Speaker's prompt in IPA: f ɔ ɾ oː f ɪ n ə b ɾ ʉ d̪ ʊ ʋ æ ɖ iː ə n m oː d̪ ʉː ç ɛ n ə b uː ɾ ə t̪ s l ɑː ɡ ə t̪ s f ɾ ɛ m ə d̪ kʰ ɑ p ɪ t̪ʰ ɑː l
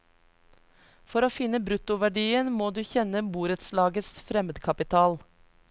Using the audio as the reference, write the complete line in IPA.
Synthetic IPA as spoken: f ɔ ɾ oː f ɪ n ə b ɾ ʉ t̪ ʊ ʋ æ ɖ iː ə n m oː d̪ ʉː ç ɛ n ə b uː ɾ ə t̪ s l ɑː ɡ ə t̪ s f ɾ ɛ m ə d̪ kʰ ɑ p ɪ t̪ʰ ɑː l